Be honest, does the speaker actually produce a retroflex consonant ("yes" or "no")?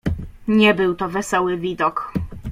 no